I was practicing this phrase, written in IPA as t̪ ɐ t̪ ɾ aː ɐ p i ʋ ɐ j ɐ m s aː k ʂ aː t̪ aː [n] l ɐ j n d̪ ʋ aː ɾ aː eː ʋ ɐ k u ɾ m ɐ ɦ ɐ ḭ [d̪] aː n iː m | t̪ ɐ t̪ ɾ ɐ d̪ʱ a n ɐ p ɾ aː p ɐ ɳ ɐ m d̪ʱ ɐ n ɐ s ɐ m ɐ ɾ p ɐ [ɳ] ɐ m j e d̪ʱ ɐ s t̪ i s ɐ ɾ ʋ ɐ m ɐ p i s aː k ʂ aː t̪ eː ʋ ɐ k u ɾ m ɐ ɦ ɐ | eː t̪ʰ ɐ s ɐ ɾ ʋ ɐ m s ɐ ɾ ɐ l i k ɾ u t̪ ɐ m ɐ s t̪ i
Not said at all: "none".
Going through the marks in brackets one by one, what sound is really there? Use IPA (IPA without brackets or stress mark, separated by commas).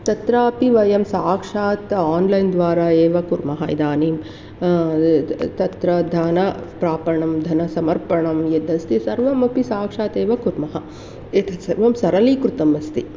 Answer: n, d̪, ɳ